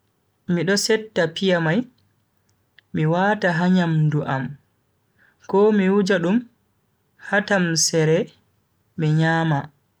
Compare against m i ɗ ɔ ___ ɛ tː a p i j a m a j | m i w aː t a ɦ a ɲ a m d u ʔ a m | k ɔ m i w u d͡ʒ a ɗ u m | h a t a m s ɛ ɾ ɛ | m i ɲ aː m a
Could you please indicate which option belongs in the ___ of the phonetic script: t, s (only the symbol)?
s